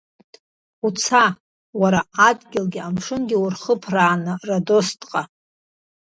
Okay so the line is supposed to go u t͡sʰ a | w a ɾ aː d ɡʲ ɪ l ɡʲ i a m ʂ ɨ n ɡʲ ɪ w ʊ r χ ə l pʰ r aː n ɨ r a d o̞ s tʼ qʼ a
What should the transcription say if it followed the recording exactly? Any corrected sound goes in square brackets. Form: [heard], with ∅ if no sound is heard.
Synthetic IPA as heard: u t͡sʰ a | w a ɾ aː d ɡʲ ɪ l ɡʲ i a m ʂ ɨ n ɡʲ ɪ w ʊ r χ ə [∅] pʰ r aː n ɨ r a d o̞ s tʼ qʼ a